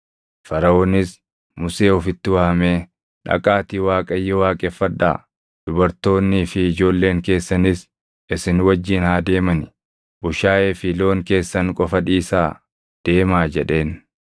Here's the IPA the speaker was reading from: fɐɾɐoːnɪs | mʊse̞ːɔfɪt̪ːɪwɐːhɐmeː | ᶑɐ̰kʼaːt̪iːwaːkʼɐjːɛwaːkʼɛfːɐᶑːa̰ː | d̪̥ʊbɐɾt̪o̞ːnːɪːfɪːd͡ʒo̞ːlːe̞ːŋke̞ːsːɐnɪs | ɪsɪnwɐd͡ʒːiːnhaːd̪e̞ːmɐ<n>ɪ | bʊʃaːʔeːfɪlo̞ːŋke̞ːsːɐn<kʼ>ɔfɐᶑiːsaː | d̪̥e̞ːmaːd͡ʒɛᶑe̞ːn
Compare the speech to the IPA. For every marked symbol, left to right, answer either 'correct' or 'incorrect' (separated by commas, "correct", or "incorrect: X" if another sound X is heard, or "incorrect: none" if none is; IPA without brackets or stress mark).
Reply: correct, correct